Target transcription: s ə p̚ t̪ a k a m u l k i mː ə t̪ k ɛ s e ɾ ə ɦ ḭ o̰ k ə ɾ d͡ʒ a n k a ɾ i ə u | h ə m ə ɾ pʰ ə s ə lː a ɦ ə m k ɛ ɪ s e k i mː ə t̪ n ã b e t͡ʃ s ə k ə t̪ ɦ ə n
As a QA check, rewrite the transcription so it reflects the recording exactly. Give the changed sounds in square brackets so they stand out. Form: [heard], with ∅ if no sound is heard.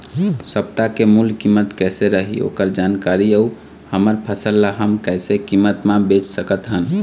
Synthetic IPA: s ə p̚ t̪ a k [e] m u l k i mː ə t̪ k ɛ s e ɾ ə ɦ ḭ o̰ k ə ɾ d͡ʒ a n k a ɾ i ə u | h ə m ə ɾ pʰ ə s ə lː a ɦ ə m k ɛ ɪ s e k i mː ə t̪ [m] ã b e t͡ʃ s ə k ə t̪ ɦ ə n